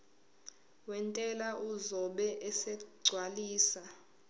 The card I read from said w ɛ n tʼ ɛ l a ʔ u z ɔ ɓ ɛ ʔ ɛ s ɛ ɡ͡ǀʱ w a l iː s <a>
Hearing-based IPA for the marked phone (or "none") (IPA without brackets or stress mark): a